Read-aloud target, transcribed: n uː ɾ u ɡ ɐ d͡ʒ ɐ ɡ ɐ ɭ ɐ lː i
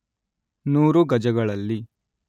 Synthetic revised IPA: n uː ɾ u ɡ ɐ d͡ʒ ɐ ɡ ɐ ɭ ɐ lː i